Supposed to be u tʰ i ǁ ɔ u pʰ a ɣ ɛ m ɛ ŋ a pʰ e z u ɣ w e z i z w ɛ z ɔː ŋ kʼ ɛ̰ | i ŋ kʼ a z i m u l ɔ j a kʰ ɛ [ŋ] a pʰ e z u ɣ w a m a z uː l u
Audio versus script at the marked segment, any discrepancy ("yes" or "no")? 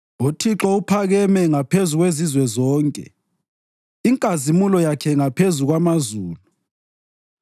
no